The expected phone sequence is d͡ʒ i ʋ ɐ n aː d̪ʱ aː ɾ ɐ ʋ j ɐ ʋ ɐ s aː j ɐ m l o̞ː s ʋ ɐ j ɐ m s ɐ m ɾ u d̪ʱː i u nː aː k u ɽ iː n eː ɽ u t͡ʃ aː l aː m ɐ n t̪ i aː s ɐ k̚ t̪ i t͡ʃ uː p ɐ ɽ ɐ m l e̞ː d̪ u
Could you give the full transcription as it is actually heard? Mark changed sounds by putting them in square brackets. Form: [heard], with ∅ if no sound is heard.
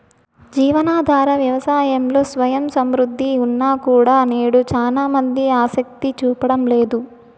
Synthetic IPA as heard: d͡ʒ [iː] ʋ ɐ n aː d̪ʱ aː ɾ ɐ ʋ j ɐ ʋ ɐ s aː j ɐ m l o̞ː s ʋ ɐ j ɐ m s ɐ m ɾ u d̪ʱː i u nː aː k [uː] ɽ [aː] n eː ɽ u t͡ʃ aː l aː m ɐ n [d̪] i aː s ɐ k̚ t̪ i t͡ʃ uː p ɐ ɽ ɐ m l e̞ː d̪ u